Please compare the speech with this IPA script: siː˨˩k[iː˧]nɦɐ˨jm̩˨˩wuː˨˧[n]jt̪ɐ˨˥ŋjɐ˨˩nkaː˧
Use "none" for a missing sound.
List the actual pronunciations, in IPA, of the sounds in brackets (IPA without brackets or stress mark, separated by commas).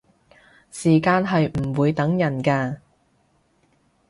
aː˧, none